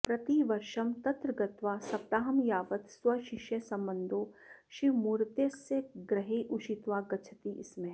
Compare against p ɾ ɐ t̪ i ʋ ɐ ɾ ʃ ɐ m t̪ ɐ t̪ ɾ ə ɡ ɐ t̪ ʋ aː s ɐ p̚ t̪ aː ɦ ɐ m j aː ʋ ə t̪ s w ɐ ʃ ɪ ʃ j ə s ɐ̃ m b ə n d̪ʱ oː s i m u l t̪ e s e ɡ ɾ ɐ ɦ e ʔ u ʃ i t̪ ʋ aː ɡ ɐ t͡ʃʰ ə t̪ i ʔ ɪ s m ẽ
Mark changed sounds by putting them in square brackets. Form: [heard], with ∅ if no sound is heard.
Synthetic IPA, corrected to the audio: p ɾ ɐ t̪ i ʋ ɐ ɾ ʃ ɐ m t̪ ɐ t̪ ɾ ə ɡ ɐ t̪ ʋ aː s ɐ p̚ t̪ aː ɦ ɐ m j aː ʋ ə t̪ s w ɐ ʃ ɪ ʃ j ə s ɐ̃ m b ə n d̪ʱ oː [ʃ] i m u [ɾ] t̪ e s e ɡ ɾ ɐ ɦ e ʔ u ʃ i t̪ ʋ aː ɡ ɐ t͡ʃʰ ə t̪ i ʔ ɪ s m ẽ